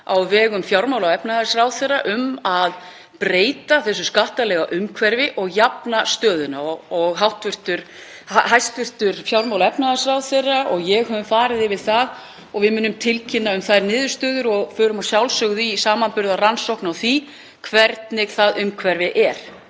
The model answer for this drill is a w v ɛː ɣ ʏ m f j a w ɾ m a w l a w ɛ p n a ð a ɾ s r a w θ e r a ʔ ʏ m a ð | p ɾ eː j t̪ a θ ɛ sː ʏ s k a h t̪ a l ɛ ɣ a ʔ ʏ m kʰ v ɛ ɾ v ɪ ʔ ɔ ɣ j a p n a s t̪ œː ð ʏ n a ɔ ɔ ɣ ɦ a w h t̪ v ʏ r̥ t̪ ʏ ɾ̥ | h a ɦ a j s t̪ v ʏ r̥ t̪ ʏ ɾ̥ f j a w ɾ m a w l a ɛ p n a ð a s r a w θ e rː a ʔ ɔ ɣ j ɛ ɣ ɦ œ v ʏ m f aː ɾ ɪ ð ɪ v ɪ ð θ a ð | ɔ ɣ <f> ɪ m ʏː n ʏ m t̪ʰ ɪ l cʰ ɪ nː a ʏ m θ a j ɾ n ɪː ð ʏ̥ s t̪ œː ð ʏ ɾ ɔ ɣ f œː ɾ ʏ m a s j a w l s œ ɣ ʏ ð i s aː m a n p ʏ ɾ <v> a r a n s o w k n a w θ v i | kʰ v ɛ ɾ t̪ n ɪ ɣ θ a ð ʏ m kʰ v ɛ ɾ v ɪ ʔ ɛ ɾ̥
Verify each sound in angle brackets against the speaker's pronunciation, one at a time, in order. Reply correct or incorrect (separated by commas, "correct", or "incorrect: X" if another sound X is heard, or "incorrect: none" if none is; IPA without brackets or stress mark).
incorrect: v, incorrect: ð